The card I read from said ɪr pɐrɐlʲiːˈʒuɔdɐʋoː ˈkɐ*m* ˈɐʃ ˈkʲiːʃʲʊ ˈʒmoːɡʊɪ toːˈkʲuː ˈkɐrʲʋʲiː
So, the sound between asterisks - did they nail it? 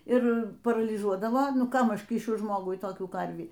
yes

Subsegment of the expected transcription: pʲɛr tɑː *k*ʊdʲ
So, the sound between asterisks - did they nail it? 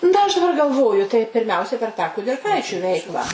yes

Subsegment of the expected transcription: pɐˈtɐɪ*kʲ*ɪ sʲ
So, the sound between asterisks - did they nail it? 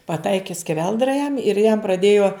yes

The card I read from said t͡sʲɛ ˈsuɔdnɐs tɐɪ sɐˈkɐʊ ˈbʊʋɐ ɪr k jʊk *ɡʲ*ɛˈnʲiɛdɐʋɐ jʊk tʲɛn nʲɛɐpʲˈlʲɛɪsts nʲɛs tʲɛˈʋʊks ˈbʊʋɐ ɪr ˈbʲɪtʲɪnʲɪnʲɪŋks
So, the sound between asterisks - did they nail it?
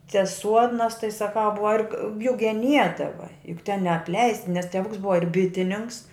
yes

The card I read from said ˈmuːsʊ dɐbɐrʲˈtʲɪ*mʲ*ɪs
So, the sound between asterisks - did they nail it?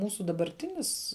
no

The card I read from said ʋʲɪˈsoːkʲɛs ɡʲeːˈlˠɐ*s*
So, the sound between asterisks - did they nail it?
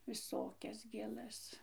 yes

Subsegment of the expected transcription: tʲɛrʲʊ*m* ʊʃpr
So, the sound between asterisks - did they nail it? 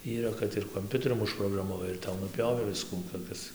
yes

